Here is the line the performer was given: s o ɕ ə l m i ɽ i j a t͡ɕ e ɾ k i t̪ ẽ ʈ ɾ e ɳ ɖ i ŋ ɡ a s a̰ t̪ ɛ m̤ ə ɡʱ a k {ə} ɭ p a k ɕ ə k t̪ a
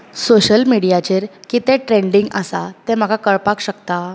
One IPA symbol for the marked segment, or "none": ə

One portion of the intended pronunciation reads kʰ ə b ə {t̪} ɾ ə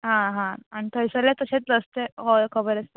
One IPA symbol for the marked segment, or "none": none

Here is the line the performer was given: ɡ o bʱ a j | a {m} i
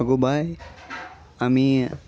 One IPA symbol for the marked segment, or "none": m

